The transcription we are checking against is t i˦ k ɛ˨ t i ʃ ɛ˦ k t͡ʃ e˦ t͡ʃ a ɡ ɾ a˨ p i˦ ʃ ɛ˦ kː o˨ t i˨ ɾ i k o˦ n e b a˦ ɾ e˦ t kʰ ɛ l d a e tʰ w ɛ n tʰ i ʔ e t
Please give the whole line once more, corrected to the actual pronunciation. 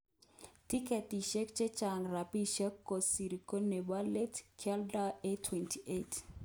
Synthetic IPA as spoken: t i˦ k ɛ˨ t i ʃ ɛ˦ k t͡ʃ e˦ t͡ʃ a ŋ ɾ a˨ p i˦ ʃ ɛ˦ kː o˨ s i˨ ɾ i k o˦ n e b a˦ l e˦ t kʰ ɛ l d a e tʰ w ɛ n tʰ i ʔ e t